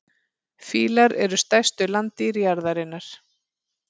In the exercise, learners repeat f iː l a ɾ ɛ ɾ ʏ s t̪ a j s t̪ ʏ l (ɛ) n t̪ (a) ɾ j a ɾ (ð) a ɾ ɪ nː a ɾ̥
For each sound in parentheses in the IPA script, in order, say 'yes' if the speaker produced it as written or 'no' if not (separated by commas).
no, no, yes